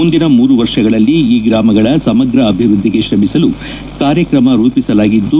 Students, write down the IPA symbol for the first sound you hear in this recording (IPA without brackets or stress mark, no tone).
u